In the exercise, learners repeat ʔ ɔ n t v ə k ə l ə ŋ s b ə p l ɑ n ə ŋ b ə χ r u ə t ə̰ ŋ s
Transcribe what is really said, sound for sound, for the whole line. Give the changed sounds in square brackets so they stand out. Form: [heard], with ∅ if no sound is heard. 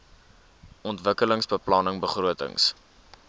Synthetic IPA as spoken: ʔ ɔ n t v ə k ə l ə ŋ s b ə p l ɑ n ə ŋ b ə χ r u ə t ə̰ ŋ s